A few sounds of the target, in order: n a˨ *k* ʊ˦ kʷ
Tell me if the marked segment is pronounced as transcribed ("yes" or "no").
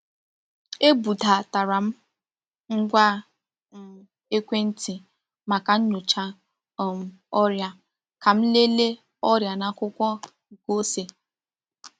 yes